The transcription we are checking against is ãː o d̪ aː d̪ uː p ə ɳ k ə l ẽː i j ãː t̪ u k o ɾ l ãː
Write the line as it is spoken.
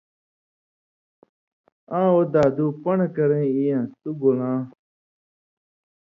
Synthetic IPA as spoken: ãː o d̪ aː d̪ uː p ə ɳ k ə ɾ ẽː i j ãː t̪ u ɡ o l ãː